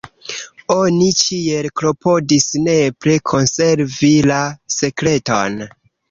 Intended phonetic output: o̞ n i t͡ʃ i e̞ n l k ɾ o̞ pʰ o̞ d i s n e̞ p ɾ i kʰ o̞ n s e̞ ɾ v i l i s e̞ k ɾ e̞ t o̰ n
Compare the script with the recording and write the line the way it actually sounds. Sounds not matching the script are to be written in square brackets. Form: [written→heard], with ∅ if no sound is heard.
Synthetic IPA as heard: o̞ n i t͡ʃ i e̞ [n→∅] l k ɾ o̞ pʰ o̞ d i s n e̞ p ɾ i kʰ o̞ n s e̞ ɾ v i l [i→a] s e̞ k ɾ e̞ t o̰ n